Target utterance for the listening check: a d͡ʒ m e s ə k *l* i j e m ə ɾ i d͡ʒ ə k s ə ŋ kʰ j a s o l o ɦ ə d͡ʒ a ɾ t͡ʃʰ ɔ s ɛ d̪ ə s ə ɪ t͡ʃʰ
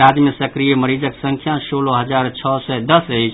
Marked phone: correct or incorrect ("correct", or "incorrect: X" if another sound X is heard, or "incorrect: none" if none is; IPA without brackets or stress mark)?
incorrect: ɾ